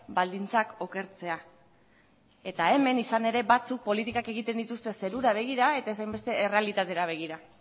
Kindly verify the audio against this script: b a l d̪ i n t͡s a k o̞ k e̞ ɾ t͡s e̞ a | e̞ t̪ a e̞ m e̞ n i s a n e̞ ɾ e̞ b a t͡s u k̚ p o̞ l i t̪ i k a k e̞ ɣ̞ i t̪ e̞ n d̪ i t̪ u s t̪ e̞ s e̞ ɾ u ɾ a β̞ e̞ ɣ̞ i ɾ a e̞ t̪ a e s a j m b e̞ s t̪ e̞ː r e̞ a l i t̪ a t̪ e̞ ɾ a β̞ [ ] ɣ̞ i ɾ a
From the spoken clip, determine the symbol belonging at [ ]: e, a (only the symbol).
e